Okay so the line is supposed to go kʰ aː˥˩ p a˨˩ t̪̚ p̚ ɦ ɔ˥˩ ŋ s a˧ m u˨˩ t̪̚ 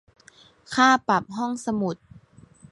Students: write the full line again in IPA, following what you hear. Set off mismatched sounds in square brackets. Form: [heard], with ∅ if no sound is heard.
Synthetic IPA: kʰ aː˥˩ p a˨˩ [∅] p̚ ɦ ɔ˥˩ ŋ s a˧ m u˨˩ t̪̚

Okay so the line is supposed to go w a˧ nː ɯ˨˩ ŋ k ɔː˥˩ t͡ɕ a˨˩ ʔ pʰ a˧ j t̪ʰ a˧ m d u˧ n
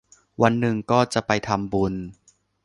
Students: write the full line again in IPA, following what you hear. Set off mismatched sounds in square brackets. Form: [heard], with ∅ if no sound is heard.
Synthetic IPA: w a˧ nː ɯ˨˩ ŋ k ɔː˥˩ t͡ɕ a˨˩ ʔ [p] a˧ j t̪ʰ a˧ m [b] u˧ n

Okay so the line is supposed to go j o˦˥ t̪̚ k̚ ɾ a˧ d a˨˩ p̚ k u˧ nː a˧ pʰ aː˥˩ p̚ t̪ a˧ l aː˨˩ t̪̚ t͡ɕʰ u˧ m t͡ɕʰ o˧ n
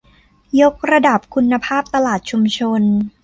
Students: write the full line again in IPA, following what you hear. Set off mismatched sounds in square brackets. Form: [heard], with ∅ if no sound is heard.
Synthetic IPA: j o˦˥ [∅] k̚ ɾ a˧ d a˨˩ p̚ [kʰ] u˧ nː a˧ pʰ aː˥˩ p̚ t̪ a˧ l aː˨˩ t̪̚ t͡ɕʰ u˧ m t͡ɕʰ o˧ n

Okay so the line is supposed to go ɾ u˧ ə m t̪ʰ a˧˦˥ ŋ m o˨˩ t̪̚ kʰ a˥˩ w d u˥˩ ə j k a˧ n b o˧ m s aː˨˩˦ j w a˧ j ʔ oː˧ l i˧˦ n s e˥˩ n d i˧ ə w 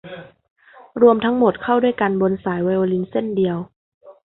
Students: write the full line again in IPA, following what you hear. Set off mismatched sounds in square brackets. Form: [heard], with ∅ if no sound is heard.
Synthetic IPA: ɾ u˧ ə m t̪ʰ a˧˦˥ ŋ m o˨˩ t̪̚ kʰ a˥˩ w d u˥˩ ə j k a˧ n b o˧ [n] s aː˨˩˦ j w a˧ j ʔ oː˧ l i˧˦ n s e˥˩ n d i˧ ə w

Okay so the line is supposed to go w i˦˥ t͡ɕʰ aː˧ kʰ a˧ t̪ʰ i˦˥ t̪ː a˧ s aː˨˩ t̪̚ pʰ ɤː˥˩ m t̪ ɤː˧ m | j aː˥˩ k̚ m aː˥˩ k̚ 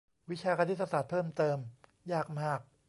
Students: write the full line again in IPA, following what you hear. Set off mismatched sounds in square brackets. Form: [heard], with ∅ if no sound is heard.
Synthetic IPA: w i˦˥ t͡ɕʰ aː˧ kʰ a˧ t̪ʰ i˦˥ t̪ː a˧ s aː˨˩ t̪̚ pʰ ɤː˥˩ m t̪ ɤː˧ m | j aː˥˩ k̚ m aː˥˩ k̚

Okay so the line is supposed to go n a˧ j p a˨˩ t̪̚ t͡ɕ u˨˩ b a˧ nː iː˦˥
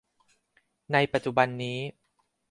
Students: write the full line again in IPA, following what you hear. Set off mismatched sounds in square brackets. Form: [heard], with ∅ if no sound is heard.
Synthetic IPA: n a˧ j p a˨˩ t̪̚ t͡ɕ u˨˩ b a˧ nː iː˦˥

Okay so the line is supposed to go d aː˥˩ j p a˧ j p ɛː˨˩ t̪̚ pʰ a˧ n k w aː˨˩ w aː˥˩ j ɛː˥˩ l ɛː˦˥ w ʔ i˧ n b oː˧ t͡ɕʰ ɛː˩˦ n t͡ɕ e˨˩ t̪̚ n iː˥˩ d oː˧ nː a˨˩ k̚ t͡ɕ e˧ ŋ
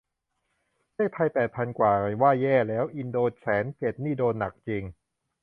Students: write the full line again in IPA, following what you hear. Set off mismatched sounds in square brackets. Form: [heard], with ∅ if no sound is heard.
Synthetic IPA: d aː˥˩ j [pʰ] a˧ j p ɛː˨˩ t̪̚ pʰ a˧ n k w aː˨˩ w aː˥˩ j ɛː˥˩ l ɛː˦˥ w ʔ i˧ n [d] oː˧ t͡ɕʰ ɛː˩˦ n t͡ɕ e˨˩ t̪̚ n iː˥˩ d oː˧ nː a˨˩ k̚ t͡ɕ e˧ ŋ

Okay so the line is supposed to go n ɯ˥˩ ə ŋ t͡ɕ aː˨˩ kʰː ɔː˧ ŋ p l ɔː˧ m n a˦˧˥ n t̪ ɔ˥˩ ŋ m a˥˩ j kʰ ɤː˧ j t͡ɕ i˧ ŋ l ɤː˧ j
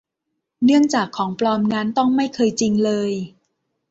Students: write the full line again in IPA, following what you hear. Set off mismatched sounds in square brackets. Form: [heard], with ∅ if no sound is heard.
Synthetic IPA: n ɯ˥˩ ə ŋ t͡ɕ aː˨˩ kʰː [ɔː˩˦] ŋ p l ɔː˧ m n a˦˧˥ n t̪ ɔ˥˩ ŋ m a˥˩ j kʰ ɤː˧ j t͡ɕ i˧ ŋ l ɤː˧ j

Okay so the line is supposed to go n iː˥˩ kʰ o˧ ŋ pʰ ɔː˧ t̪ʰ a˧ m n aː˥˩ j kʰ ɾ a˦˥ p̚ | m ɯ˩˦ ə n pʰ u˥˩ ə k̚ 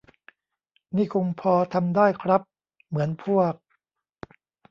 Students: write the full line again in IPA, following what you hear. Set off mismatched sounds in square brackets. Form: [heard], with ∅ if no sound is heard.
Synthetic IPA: n iː˥˩ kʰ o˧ ŋ pʰ ɔː˧ t̪ʰ a˧ m [d] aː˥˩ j kʰ ɾ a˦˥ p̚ | m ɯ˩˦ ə n pʰ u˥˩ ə k̚

